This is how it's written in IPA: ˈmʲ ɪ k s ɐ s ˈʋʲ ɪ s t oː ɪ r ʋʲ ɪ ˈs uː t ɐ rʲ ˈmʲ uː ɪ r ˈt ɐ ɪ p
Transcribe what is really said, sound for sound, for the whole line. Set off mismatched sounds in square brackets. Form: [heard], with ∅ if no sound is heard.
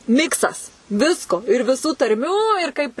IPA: ˈmʲ ɪ k s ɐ s ˈʋʲ ɪ s [k] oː ɪ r ʋʲ ɪ ˈs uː t ɐ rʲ ˈmʲ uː ɪ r [ˈk] ɐ ɪ p